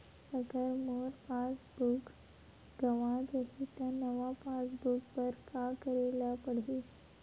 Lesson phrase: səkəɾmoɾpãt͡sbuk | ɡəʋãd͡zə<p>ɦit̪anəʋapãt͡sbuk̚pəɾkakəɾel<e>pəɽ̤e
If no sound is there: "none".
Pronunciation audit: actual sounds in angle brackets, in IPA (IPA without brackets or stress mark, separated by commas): none, a